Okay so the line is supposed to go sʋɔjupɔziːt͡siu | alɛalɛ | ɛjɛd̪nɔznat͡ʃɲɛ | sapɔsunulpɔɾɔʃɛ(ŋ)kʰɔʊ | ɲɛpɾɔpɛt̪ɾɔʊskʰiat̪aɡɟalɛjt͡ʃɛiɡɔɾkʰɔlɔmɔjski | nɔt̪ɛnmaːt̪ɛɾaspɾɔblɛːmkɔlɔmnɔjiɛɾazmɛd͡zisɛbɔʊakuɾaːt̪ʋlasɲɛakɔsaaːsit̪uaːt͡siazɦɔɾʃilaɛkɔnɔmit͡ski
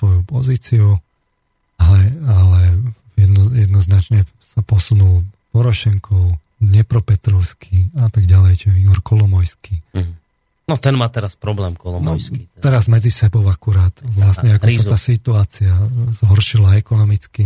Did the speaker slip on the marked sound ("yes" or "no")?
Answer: no